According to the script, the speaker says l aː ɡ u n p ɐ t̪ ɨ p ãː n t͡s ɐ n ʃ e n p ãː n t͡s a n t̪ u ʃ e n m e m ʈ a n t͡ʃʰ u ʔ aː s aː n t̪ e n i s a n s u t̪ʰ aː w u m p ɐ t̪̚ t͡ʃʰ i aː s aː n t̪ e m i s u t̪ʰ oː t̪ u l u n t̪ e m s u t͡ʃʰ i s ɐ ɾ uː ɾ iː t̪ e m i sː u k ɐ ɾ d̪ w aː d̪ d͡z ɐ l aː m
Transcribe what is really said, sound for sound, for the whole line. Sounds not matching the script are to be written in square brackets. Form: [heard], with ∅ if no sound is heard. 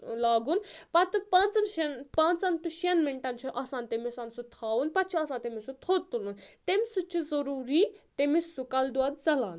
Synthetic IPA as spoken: l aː ɡ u n p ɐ t̪ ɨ p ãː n t͡s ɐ n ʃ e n p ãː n t͡s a n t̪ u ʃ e n m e [ɳ] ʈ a n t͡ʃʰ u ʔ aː s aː n t̪ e [m] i s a n s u t̪ʰ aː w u [n] p ɐ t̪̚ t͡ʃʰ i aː s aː n t̪ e m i s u t̪ʰ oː t̪ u l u n t̪ e m s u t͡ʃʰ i [z] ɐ ɾ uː ɾ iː t̪ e m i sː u k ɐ [l] d̪ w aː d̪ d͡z ɐ l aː [n]